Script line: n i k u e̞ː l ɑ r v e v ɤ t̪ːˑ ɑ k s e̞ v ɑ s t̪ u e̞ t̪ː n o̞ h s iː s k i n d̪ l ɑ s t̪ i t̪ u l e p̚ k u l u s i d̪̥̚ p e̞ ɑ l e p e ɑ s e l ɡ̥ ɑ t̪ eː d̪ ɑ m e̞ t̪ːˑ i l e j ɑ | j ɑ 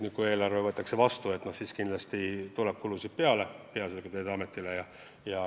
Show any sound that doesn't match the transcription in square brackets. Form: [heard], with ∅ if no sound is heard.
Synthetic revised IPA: n i k u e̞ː l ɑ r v e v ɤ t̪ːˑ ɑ k s e̞ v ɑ s t̪ u e̞ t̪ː n o̞ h s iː s k i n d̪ l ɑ s t̪ i t̪ u l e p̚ k u l u s i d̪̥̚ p e̞ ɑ l e p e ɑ s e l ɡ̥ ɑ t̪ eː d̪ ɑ m e̞ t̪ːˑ i l e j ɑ | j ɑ